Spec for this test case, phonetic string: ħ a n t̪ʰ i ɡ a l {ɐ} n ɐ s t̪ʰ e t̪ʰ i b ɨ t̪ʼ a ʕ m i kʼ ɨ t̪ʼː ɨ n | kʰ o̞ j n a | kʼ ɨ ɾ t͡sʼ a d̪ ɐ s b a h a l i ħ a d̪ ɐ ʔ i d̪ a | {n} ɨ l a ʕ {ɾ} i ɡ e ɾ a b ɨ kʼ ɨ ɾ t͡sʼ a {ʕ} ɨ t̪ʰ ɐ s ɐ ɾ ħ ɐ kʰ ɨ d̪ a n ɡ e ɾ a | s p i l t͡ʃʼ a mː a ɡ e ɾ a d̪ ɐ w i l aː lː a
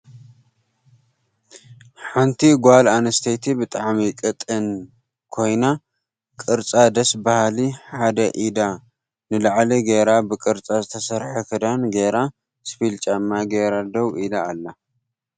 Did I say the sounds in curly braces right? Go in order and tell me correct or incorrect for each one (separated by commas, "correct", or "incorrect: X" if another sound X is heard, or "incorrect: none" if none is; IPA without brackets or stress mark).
incorrect: a, correct, incorrect: l, incorrect: z